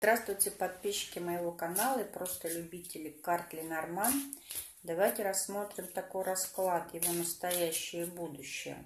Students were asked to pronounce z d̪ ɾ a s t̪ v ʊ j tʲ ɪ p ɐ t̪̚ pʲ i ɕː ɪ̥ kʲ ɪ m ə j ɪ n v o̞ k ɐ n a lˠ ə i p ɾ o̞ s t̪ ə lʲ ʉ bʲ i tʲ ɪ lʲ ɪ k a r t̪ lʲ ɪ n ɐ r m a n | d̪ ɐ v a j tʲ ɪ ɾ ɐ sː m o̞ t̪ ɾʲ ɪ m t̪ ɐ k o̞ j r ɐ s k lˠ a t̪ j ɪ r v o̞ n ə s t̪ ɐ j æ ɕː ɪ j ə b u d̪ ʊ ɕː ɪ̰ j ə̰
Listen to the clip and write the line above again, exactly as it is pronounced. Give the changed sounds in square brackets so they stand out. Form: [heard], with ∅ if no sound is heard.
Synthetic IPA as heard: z d̪ ɾ a s t̪ v ʊ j tʲ ɪ p ɐ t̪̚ pʲ i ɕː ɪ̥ kʲ ɪ m ə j ɪ [∅] v o̞ k ɐ n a lˠ ə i p ɾ o̞ s t̪ ə lʲ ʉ bʲ i tʲ ɪ lʲ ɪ k a r t̪ lʲ ɪ n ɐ r m a n | d̪ ɐ v a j tʲ ɪ ɾ ɐ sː m o̞ t̪ ɾʲ ɪ m t̪ ɐ k o̞ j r ɐ s k lˠ a t̪ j ɪ [∅] v o̞ n ə s t̪ ɐ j æ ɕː ɪ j ə b u d̪ ʊ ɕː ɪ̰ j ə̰